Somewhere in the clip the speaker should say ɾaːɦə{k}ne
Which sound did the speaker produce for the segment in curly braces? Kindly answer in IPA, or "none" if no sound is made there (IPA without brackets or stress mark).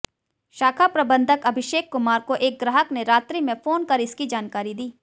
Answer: k